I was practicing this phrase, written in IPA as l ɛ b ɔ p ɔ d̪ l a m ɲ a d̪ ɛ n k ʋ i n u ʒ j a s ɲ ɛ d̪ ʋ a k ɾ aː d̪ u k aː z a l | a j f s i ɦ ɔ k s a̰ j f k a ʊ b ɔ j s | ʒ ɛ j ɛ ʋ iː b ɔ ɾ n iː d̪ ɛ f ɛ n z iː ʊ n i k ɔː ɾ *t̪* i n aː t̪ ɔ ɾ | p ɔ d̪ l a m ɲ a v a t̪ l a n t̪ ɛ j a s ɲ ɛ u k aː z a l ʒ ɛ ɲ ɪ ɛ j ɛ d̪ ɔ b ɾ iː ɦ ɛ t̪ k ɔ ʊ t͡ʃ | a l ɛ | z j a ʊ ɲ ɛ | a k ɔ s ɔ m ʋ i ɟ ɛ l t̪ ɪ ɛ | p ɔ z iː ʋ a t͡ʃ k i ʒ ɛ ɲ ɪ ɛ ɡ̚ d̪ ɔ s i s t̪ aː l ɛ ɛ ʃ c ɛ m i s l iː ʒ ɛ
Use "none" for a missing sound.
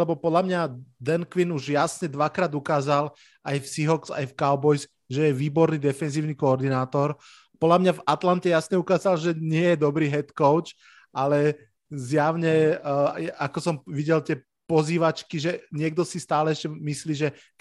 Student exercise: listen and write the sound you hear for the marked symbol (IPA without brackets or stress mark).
d̪